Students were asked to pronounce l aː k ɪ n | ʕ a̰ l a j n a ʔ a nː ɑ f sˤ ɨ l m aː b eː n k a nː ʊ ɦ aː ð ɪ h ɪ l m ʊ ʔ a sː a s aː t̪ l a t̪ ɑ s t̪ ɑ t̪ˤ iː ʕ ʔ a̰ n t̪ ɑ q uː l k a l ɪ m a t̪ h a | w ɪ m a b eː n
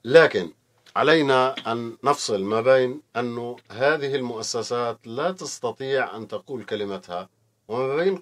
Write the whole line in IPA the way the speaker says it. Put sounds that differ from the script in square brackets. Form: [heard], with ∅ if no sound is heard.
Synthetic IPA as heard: l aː k ɪ n | ʕ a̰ l a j n a ʔ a nː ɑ f sˤ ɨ l m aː b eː n [ʔ] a nː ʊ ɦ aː ð ɪ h ɪ l m ʊ ʔ a sː a s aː t̪ l a t̪ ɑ s t̪ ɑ t̪ˤ iː ʕ ʔ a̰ n t̪ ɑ q uː l k a l ɪ m a t̪ h a | w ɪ m a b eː n

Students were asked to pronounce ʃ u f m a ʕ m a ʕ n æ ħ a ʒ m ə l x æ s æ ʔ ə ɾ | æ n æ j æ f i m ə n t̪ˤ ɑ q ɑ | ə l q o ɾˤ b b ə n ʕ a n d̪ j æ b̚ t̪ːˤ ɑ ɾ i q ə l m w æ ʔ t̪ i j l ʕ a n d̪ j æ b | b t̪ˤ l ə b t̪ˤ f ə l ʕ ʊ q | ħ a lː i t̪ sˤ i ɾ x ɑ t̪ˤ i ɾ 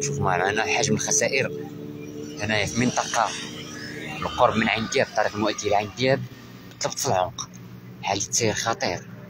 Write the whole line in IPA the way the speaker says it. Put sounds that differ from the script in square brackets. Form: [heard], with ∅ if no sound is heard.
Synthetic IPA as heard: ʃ u f m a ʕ m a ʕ n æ ħ a ʒ m ə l x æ s æ ʔ ə ɾ | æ n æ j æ f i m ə n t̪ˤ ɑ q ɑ | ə l q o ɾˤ b [m] ə n ʕ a n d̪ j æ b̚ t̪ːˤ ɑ ɾ i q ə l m w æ ʔ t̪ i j l ʕ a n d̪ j æ b | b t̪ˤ l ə b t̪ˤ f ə l ʕ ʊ q | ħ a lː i t̪ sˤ i ɾ x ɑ t̪ˤ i ɾ

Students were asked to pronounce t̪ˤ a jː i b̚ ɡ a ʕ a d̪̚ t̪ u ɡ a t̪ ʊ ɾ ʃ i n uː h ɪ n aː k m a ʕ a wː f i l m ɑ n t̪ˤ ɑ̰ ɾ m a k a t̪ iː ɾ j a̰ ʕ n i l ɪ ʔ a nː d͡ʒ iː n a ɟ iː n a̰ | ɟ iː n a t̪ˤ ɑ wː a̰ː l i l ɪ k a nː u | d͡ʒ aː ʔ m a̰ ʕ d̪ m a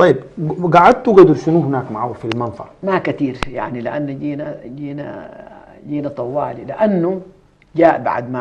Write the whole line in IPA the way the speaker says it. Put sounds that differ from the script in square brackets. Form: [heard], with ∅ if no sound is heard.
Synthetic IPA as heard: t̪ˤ [ɑ] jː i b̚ ɡ a ʕ a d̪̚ t̪ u ɡ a [d̪] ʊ ɾ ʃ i n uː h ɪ n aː k m a ʕ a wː f i l m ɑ n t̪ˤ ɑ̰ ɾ m a k a t̪ iː ɾ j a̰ ʕ n i l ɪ ʔ a nː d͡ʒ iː n a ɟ iː n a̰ | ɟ iː n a t̪ˤ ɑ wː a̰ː l i l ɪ [ʔ] a nː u | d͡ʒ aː ʔ [b] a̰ ʕ d̪ m a

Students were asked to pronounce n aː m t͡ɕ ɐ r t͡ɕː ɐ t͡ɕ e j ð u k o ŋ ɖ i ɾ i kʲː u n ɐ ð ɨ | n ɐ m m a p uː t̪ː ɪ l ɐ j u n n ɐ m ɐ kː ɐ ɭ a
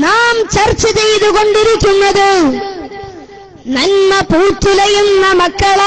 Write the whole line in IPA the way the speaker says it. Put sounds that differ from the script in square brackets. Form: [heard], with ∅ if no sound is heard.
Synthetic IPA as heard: n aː m t͡ɕ ɐ r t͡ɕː ɐ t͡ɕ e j ð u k o [ɳ] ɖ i ɾ i kʲː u [nː] ɐ ð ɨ | n ɐ [n] m [ɐ] p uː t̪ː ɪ l ɐ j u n n ɐ m ɐ kː ɐ ɭ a

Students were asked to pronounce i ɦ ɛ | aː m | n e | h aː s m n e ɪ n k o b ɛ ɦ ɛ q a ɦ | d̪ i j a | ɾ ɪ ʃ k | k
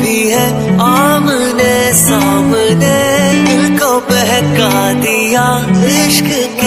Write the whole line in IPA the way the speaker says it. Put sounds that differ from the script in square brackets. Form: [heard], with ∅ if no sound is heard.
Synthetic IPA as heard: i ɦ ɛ | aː m | n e | [s] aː [∅] m n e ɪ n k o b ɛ ɦ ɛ [k] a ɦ | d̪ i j a | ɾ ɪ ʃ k | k

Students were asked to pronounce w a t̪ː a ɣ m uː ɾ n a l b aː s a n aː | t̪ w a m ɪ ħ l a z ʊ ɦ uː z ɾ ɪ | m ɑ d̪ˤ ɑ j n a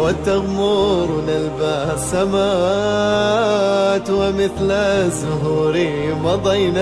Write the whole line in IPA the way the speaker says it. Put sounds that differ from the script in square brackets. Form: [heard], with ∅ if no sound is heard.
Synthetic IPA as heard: w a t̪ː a ɣ m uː ɾ n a l b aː s a [m] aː | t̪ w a m ɪ [θ] l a z ʊ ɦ uː [∅] ɾ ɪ | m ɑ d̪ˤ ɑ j n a

